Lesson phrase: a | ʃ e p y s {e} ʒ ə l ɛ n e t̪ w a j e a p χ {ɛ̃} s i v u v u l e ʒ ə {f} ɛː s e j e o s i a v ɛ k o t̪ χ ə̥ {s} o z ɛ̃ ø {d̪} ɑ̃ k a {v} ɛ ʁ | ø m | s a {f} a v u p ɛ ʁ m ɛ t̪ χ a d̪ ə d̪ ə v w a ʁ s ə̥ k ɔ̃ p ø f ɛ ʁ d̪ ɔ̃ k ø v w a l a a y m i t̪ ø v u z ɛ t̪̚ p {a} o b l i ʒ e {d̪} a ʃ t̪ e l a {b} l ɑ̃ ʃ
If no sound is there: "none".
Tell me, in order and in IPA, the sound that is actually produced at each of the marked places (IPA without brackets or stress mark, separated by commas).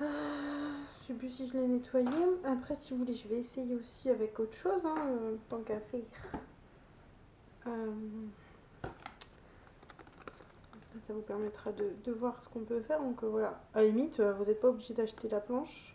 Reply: i, ɛ, v, ʃ, t̪, f, s, a, d̪, p